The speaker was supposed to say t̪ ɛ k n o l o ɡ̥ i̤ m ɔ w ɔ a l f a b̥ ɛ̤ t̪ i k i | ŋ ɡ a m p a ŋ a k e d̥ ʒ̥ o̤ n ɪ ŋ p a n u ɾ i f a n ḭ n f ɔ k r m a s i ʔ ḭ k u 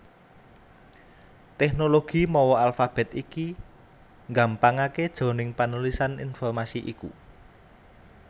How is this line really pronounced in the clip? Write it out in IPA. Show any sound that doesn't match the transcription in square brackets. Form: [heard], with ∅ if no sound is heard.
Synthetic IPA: t̪ ɛ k n o l o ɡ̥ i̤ m ɔ w ɔ a l f a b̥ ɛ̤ t̪ i k i | ŋ ɡ a m p a ŋ a k e d̥ ʒ̥ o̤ n ɪ ŋ p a n u [l] i [s] a n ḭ n f ɔ [∅] r m a s i ʔ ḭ k u